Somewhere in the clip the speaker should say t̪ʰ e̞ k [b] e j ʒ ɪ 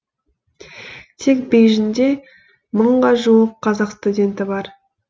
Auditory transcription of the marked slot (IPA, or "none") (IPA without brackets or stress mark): b